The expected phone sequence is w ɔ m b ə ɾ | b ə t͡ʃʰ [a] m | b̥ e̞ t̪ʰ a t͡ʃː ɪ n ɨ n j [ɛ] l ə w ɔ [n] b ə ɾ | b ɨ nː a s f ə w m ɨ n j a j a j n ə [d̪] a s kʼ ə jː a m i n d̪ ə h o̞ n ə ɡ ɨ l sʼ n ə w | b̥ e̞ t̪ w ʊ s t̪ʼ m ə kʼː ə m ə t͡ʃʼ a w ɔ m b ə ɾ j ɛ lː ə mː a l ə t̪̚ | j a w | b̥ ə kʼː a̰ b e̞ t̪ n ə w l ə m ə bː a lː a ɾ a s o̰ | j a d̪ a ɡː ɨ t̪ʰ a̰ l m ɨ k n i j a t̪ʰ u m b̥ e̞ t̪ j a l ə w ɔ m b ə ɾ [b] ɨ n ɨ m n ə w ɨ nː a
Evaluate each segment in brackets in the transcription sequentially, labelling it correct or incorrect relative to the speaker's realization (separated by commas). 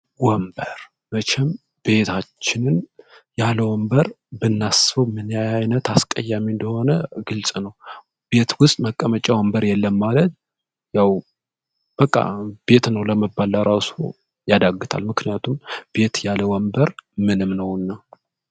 incorrect, incorrect, incorrect, incorrect, incorrect